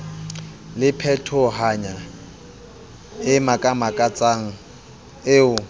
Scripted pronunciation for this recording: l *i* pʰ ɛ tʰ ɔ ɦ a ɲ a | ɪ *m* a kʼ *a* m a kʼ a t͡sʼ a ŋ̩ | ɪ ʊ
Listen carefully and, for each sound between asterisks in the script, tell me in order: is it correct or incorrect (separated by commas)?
incorrect, correct, correct